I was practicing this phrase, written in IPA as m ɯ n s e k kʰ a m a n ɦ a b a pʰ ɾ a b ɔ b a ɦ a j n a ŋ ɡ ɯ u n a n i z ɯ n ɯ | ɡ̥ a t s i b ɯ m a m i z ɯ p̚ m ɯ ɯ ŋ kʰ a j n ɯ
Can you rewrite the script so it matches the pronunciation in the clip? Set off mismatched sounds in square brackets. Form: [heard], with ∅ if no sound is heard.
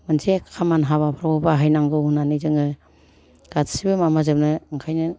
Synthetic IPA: m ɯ n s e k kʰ a m a n ɦ a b a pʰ ɾ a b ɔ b a ɦ a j n a ŋ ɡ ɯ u n a n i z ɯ [ŋ] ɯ | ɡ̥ a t s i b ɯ m a m [a] z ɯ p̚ [n] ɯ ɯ ŋ kʰ a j n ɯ